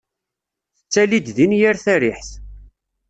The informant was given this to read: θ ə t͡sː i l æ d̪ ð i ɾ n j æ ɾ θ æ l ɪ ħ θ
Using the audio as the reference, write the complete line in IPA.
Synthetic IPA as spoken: θ ə t͡sː æ l i d̪ ð i n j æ ɾ θ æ ɾ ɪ ħ θ